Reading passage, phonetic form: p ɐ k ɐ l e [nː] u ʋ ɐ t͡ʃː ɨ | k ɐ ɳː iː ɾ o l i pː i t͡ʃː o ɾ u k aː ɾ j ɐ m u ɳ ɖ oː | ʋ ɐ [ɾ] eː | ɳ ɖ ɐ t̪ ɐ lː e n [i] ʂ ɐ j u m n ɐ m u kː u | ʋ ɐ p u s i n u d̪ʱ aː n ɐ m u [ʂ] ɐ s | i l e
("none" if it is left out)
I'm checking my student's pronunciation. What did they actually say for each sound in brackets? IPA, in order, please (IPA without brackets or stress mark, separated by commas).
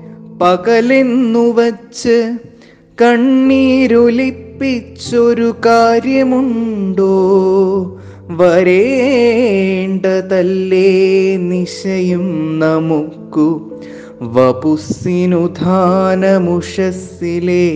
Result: nː, ɾ, i, ʂ